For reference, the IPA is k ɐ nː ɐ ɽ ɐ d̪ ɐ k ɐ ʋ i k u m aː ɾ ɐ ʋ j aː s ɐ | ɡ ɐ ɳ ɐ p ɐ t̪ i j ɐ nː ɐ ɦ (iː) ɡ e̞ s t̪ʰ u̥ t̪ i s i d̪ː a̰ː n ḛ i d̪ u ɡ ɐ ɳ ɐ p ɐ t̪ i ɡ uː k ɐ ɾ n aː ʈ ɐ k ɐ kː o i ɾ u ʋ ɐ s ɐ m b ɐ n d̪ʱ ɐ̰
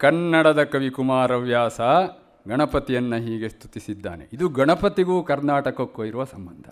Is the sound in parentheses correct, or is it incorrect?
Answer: correct